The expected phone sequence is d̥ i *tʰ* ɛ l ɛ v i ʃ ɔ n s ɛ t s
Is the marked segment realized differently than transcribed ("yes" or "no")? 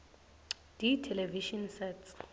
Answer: no